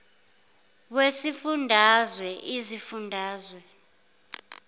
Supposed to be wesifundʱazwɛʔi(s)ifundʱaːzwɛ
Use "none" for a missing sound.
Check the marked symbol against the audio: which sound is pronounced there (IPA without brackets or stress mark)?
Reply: z